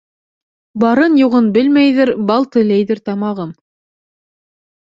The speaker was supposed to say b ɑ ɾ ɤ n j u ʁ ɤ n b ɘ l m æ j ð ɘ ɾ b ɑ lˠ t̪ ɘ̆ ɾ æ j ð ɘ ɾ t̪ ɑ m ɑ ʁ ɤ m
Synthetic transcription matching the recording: b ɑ ɾ ɤ n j u ʁ ɤ n b ɘ l m æ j ð ɘ ɾ b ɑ lˠ t̪ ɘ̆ l æ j ð ɘ ɾ t̪ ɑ m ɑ ʁ ɤ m